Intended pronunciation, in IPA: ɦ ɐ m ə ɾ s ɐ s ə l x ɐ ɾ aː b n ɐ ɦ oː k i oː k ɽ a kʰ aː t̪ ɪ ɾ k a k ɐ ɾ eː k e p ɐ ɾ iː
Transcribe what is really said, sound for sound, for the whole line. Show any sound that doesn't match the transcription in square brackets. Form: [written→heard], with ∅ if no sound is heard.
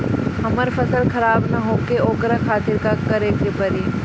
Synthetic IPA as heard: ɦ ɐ m ə ɾ [s→f] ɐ s ə l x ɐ ɾ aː b n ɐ ɦ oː k [i→e] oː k [ɽ→ɾ] a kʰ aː t̪ ɪ ɾ k a k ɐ ɾ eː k e p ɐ ɾ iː